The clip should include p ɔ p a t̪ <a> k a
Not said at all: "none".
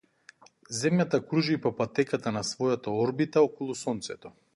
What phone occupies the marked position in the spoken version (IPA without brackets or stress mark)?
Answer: ɛ